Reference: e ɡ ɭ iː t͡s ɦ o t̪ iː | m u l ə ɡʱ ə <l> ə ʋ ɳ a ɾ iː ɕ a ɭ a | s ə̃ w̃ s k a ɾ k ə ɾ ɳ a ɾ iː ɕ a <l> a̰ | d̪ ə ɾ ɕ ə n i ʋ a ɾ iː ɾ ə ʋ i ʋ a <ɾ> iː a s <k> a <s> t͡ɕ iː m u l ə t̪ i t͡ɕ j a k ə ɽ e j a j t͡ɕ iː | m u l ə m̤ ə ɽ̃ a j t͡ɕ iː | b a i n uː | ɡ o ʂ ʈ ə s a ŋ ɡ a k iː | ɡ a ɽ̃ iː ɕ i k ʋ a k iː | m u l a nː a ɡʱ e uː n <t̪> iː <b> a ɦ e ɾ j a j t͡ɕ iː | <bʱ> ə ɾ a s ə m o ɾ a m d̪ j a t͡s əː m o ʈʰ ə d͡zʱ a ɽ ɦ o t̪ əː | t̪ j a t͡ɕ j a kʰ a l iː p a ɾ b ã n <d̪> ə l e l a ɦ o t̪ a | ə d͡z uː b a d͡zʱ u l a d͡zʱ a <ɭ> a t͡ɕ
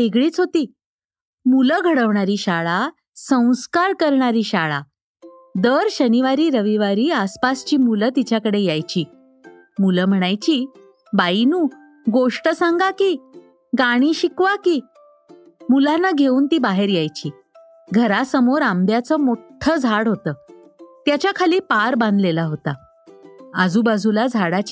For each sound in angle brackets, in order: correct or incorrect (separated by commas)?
incorrect, incorrect, correct, incorrect, correct, correct, correct, incorrect, correct, incorrect